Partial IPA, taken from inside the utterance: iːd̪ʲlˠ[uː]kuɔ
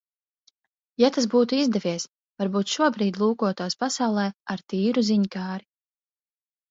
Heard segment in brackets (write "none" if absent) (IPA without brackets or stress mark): uː